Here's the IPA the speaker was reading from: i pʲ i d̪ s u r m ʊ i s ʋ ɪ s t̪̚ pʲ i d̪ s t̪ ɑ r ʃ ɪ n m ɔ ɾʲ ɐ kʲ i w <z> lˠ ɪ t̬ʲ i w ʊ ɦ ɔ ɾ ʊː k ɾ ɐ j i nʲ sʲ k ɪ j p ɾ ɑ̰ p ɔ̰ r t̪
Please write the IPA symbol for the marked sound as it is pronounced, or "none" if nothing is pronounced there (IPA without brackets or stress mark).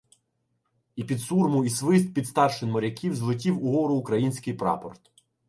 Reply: z